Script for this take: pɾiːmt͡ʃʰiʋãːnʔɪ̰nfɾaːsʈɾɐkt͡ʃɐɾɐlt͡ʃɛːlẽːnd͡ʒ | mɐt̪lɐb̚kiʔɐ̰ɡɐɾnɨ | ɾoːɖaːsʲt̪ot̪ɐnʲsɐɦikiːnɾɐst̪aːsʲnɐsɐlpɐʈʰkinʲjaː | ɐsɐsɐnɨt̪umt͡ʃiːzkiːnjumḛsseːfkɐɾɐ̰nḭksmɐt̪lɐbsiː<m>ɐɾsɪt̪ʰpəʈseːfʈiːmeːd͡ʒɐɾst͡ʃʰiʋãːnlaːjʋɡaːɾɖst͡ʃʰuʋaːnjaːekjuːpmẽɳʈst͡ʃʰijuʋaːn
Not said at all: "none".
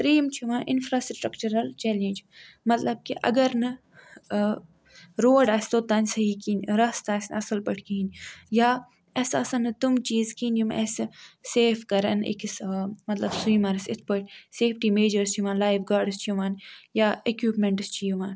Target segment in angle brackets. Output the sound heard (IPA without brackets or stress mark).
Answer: m